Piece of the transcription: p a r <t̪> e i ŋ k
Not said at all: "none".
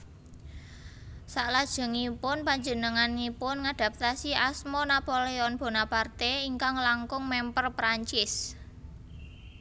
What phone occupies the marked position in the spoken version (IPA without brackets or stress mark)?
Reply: t̪